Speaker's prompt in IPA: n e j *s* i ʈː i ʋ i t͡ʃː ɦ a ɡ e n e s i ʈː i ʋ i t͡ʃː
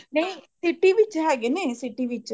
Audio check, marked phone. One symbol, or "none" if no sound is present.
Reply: s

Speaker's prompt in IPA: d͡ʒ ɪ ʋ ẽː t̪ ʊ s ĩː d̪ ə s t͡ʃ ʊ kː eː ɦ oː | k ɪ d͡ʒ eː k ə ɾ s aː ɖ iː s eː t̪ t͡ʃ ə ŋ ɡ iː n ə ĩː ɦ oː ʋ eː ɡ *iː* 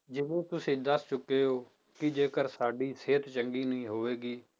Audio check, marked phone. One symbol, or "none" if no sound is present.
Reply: iː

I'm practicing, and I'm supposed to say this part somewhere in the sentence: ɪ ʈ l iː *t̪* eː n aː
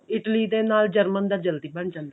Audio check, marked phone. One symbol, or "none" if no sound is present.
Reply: d̪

